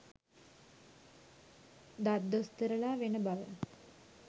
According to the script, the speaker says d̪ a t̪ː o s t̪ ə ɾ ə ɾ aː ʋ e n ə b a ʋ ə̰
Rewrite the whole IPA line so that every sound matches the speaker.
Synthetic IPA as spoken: d̪ a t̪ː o s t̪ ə ɾ ə l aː ʋ e n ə b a ʋ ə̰